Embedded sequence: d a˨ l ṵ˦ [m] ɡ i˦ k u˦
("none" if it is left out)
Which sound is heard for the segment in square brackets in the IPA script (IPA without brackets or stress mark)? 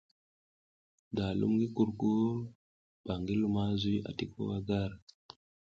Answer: m